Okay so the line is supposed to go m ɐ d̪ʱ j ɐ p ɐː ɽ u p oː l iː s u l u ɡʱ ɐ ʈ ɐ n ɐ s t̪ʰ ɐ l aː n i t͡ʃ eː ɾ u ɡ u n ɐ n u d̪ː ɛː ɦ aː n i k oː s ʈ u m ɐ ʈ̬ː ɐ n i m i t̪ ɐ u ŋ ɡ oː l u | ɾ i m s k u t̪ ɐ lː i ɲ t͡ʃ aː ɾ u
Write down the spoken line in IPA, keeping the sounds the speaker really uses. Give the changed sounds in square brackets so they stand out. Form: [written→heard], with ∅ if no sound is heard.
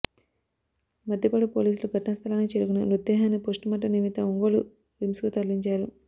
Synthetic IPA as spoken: m ɐ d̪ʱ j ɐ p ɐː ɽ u p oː l iː s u l u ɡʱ ɐ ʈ ɐ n ɐ s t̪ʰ ɐ l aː n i t͡ʃ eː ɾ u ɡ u n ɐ n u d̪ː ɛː ɦ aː n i [k→p] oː s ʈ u m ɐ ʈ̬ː ɐ n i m i t̪ ɐ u ŋ ɡ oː l u | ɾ i m s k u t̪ ɐ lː i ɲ t͡ʃ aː ɾ u